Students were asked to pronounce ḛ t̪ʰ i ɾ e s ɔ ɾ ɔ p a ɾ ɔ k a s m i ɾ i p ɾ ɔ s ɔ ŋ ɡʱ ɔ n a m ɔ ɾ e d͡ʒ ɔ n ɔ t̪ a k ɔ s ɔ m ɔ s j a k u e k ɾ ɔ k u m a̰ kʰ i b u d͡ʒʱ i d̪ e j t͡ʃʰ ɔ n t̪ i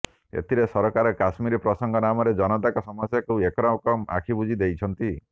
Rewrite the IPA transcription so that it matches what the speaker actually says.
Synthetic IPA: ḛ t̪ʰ i ɾ e s ɔ ɾ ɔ k a ɾ ɔ k a s m i ɾ i p ɾ ɔ s ɔ ŋ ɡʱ ɔ n a m ɔ ɾ e d͡ʒ ɔ n ɔ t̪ a k ɔ s ɔ m ɔ s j a k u e k ɾ ɔ k ɔ m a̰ kʰ i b u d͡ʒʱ i d̪ e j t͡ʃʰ ɔ n t̪ i